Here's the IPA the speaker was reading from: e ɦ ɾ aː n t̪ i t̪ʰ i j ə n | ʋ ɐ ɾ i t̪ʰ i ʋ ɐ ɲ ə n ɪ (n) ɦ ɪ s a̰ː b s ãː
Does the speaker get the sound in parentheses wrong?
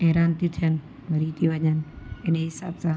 no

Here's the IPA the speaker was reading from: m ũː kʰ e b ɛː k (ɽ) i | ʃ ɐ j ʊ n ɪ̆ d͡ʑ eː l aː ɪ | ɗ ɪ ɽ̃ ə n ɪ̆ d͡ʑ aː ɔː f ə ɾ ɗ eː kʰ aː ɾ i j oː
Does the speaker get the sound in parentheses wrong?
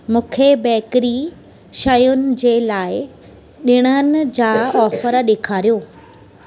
yes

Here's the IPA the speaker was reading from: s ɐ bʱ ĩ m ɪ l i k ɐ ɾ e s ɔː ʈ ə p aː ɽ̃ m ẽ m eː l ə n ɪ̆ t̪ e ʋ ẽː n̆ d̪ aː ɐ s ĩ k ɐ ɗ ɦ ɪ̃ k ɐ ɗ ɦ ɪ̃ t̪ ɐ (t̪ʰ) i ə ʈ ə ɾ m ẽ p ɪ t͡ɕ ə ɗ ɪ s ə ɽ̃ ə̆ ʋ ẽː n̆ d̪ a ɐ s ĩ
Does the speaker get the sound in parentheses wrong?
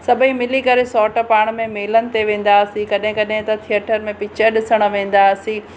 no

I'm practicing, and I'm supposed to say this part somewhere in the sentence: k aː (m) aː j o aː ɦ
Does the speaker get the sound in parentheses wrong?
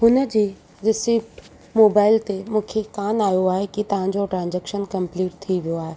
yes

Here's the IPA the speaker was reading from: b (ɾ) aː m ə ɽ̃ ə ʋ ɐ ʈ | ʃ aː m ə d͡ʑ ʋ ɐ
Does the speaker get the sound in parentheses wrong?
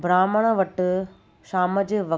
no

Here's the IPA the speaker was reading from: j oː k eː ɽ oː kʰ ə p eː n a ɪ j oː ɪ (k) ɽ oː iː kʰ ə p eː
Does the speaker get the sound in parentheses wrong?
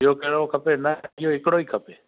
no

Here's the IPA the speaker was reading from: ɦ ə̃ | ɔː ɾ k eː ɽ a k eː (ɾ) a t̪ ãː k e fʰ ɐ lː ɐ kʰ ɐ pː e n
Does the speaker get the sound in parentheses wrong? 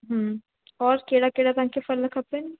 yes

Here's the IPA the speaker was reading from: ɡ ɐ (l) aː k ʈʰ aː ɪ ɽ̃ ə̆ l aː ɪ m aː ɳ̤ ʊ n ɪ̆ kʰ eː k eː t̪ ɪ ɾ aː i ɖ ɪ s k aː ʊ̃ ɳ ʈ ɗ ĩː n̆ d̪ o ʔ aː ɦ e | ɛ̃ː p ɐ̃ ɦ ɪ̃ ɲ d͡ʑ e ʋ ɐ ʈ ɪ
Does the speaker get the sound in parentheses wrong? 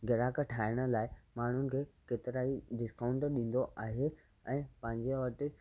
yes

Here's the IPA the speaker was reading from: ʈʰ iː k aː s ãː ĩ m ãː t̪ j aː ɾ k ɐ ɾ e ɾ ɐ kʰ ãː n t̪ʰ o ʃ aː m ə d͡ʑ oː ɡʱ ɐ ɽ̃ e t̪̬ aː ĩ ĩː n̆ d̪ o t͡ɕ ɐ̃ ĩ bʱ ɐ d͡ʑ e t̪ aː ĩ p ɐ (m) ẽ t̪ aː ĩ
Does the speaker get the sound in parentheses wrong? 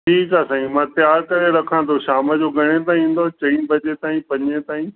yes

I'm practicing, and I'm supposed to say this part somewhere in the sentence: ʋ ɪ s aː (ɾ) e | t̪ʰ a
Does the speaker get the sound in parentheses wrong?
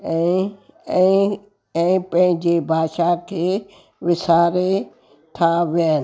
no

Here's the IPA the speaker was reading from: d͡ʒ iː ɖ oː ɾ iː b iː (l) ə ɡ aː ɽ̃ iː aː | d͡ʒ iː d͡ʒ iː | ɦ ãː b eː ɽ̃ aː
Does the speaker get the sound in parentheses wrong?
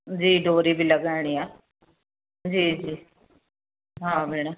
no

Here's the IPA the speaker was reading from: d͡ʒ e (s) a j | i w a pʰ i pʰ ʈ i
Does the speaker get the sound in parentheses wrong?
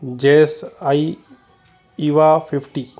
no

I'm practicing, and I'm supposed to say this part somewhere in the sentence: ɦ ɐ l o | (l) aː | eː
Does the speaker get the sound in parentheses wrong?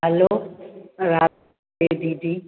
yes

